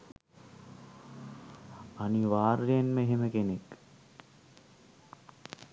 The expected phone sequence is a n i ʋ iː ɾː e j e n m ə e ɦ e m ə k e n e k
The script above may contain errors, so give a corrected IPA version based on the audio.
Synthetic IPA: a n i ʋ aː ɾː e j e n m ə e ɦ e m ə k e n e k